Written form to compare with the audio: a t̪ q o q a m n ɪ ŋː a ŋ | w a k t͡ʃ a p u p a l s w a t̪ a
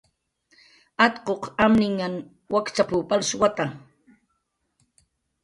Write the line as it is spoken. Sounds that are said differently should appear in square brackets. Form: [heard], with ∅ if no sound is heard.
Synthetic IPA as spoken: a t̪ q o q a m n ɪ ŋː a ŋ | w a k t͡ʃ a p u p a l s w a t̪ a